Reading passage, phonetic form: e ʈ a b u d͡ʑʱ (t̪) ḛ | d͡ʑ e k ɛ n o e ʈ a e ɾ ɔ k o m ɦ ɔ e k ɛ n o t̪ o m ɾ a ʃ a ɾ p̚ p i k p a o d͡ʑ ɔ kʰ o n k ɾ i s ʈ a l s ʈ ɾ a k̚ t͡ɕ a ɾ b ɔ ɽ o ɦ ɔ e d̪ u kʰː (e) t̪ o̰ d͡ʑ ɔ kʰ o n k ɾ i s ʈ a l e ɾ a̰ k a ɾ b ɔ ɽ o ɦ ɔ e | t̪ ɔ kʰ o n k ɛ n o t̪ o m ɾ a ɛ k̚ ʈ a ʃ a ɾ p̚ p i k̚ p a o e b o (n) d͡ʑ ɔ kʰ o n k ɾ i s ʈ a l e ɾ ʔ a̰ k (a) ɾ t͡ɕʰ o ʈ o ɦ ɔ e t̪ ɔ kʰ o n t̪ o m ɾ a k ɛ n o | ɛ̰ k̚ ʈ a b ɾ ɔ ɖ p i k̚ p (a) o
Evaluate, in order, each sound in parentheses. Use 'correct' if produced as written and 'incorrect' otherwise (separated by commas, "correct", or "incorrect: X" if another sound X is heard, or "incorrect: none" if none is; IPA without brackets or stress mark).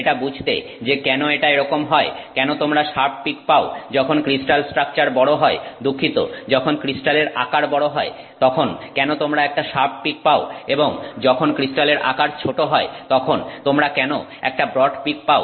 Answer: correct, incorrect: i, incorrect: ŋ, correct, correct